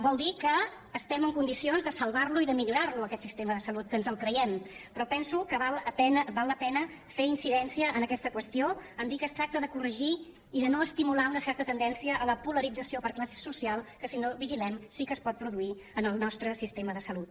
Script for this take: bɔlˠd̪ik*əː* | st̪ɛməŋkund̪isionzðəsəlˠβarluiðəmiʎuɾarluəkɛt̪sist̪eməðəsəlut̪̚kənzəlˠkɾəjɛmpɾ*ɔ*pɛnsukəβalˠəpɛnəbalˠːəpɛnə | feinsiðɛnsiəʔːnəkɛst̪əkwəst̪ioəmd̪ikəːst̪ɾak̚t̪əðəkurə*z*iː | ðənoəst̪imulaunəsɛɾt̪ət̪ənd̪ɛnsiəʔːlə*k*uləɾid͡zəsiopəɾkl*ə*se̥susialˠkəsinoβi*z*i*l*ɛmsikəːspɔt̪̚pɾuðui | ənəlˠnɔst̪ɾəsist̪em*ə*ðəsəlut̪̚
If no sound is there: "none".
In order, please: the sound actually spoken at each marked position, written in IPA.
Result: əː, ɔ, ʒ, p, a, ʒ, l, ə

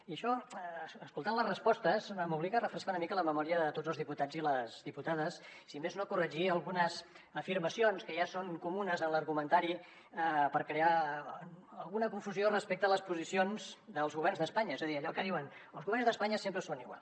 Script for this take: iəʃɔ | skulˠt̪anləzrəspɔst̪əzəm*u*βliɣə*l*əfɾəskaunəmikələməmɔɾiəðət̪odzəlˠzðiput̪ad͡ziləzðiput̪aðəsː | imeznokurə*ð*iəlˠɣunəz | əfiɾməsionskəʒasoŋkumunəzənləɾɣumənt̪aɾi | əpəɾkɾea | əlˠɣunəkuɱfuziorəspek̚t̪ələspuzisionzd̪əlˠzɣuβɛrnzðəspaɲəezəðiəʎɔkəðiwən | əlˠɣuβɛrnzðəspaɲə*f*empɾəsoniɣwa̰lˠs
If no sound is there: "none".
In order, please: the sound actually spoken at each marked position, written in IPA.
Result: u, r, ʒ, s

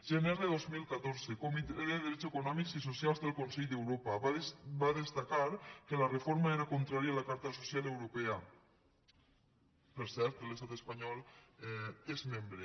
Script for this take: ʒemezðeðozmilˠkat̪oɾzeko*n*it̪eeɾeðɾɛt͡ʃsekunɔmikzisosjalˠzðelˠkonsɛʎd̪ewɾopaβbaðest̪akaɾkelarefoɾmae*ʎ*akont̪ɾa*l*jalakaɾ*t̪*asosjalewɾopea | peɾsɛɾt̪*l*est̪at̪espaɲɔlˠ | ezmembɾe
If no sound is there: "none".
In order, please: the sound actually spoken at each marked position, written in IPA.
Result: m, ɾ, ɾ, t̪, l

